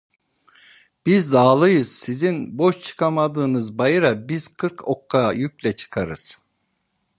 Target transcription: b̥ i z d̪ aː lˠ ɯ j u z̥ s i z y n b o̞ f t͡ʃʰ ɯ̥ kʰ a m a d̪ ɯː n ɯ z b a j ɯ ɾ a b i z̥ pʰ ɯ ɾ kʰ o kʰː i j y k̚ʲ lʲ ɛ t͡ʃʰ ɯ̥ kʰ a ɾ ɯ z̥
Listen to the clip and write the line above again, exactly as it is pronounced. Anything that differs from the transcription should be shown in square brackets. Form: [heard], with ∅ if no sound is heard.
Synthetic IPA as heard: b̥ i z d̪ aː lˠ ɯ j [ɯ] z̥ s i z [i] n b o̞ [ʃ] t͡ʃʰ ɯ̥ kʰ a m a d̪ ɯː n ɯ z b a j ɯ ɾ a b i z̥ [kʰ] ɯ ɾ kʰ o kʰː [a] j y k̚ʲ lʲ ɛ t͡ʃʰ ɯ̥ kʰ a ɾ ɯ z̥